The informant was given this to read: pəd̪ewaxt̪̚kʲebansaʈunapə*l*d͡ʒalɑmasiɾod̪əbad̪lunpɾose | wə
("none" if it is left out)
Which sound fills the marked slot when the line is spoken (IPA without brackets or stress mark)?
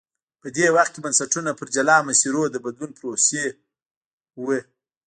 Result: ɾ